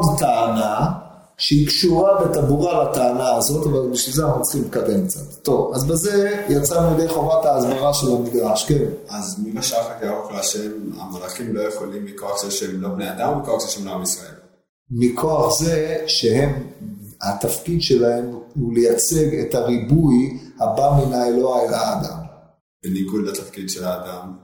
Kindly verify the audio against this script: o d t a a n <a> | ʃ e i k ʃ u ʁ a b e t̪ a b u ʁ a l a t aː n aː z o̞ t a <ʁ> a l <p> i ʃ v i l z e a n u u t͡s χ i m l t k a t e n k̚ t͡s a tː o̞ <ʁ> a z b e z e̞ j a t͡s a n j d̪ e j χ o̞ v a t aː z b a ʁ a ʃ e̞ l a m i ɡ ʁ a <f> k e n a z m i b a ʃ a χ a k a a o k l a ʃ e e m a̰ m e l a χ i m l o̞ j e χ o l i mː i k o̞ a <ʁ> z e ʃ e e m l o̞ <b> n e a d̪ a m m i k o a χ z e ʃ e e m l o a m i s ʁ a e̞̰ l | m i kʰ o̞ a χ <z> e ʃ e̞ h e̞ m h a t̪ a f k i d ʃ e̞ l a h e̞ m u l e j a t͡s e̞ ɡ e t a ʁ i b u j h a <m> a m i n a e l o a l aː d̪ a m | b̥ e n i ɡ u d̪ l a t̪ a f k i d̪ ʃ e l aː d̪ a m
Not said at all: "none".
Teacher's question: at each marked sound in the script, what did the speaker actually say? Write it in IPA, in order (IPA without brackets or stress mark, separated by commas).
a, v, b, v, ʃ, χ, b, z, b